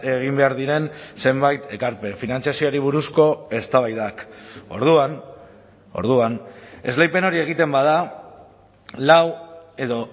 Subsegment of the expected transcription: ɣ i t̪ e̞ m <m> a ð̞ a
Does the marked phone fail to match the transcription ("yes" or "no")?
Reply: yes